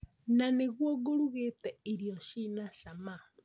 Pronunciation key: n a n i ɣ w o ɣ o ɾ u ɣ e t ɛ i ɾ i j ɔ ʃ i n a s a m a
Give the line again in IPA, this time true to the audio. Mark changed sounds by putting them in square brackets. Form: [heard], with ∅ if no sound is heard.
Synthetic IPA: n a n [e] ɣ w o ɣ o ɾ u ɣ e t ɛ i ɾ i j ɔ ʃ i n a [ʃ] a m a